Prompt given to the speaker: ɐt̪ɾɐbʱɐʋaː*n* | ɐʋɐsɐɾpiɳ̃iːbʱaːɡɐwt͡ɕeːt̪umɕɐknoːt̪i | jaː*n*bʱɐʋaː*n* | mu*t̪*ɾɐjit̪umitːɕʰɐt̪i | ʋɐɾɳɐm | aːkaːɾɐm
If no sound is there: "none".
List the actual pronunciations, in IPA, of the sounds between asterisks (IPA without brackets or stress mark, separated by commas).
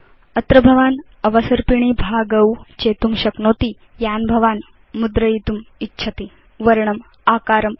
n, n, n, d̪